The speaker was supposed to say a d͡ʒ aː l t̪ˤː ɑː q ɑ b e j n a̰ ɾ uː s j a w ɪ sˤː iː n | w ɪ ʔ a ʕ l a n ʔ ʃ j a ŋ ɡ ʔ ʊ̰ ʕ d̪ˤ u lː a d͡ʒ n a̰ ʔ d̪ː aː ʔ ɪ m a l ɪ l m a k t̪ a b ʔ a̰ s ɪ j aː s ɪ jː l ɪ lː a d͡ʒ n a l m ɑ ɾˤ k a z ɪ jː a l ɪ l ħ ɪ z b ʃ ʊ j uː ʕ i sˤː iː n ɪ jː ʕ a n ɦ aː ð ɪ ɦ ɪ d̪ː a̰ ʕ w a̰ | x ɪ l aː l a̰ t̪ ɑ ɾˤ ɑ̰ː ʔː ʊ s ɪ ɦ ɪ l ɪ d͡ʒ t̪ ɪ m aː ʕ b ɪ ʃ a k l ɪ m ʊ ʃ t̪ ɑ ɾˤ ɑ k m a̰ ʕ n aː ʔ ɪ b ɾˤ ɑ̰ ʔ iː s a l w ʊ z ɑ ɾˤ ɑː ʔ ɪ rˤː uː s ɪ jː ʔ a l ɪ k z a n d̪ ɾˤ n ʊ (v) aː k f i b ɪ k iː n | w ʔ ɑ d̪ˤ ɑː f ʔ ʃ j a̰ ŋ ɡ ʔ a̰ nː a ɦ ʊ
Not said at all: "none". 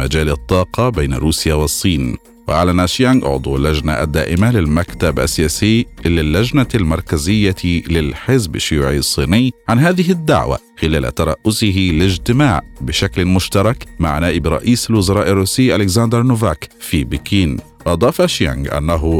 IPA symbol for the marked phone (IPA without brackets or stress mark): v